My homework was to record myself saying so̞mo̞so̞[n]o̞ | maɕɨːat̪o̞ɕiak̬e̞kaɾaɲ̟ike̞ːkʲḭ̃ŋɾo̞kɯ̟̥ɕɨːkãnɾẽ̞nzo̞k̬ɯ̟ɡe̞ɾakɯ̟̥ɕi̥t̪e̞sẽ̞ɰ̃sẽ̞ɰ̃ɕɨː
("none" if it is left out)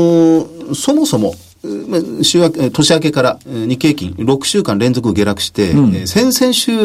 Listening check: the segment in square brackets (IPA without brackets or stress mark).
m